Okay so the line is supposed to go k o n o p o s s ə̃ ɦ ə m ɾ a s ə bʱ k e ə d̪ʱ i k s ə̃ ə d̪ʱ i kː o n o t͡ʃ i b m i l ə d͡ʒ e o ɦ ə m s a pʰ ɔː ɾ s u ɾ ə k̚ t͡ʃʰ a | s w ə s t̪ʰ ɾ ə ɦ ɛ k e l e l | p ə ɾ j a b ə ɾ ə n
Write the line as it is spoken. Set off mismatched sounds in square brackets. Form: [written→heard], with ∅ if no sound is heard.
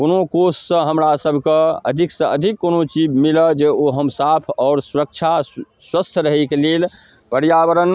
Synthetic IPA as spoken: k o n o [p→k] o s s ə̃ ɦ ə m ɾ a s ə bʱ k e ə d̪ʱ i k s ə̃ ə d̪ʱ i kː o n o t͡ʃ i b m i l ə d͡ʒ e o ɦ ə m s a pʰ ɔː ɾ s u ɾ ə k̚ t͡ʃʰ a | s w ə s t̪ʰ ɾ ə ɦ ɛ k e l e l | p ə ɾ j a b ə ɾ ə n